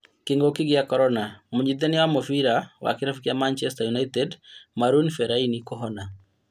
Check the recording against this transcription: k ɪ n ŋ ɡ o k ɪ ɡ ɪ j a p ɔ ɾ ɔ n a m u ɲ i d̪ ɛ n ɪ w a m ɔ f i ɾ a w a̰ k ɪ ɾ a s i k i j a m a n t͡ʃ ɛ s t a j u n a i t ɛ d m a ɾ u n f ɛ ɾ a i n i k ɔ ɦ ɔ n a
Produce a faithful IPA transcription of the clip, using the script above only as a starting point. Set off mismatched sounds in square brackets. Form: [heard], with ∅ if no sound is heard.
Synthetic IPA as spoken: k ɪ [∅] ŋ ɡ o k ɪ ɡ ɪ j a [k] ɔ ɾ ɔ n a m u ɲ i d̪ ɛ n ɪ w a m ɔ f i ɾ a w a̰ k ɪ ɾ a [f] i k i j a m a n t͡ʃ ɛ s t a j u n a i t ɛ d m a ɾ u n f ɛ ɾ a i n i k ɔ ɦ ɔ n a